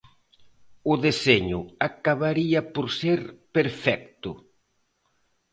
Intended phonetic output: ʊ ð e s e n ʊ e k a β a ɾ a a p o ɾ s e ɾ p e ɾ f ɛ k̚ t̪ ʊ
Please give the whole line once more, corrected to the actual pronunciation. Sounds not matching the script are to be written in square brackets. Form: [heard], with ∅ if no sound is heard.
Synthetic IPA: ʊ ð e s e [ɲ] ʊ [a] k a β a ɾ [i] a p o ɾ s e ɾ p e ɾ f ɛ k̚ t̪ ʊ